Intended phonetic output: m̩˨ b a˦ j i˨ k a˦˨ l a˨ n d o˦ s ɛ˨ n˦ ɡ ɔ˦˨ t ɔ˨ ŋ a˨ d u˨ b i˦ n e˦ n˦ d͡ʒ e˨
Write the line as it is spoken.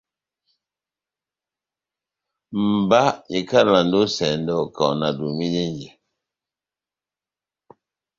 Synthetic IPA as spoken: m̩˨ b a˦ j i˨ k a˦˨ l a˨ n d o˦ s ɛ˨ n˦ d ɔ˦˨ k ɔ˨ n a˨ d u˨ m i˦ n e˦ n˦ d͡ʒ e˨